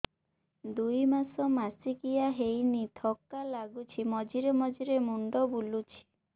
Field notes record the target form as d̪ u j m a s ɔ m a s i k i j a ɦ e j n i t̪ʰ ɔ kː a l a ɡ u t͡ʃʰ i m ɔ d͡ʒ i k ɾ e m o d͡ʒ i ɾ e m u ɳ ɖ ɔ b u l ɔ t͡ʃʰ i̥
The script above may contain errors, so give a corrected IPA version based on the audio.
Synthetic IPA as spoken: d̪ u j m a s ɔ m a s i k i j a ɦ e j n i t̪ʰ ɔ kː a l a ɡ u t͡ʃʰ i m ɔ d͡ʒ i ɾ e m ɔ d͡ʒ i ɾ e m u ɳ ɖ ɔ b u l u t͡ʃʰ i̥